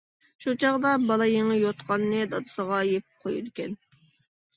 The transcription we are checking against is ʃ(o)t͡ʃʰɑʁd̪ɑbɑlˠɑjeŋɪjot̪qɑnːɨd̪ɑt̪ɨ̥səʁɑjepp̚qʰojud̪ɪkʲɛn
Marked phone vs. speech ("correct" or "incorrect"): incorrect